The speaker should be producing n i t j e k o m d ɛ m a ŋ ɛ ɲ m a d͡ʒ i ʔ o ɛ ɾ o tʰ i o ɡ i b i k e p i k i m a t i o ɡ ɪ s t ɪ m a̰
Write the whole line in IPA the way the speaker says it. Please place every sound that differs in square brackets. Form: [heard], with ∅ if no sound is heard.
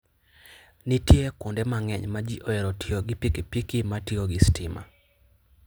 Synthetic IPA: n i t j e k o [n] d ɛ m a ŋ ɛ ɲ m a d͡ʒ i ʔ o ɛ ɾ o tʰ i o ɡ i [p] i k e p i k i m a t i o ɡ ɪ s t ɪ m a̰